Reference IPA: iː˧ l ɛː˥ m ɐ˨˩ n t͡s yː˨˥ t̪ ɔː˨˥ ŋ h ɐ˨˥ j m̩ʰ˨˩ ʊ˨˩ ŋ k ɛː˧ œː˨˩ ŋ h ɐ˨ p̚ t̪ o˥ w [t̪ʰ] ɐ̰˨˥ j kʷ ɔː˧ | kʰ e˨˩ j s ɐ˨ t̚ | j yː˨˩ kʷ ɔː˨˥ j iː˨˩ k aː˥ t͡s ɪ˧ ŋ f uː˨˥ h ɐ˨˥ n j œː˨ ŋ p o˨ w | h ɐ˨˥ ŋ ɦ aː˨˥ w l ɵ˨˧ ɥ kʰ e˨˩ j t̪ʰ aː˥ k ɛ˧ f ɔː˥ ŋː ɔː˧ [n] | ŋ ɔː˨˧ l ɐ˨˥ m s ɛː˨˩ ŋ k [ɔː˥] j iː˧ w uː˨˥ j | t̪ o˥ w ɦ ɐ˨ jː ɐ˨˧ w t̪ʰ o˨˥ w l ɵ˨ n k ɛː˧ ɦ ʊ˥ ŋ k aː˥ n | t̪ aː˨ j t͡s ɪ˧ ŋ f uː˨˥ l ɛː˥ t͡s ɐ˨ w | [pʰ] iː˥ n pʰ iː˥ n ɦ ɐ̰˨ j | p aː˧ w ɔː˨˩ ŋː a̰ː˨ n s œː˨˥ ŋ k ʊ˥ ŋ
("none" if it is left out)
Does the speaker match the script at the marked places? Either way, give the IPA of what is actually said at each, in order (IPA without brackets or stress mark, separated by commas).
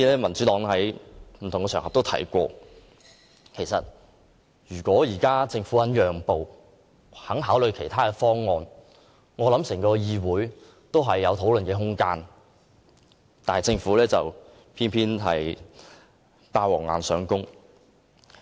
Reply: t̪ʰ, n, ɔː˧, pʰ